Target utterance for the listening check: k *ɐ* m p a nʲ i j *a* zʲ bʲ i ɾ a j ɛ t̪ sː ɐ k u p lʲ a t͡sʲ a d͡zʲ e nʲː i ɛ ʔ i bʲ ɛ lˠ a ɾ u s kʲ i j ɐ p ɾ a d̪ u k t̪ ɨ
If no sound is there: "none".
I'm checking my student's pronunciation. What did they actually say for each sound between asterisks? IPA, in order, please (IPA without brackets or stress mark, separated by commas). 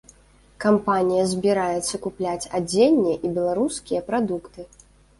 a, ɐ